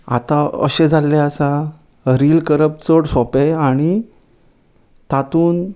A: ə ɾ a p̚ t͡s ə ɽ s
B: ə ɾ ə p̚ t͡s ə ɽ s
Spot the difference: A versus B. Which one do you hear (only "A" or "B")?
B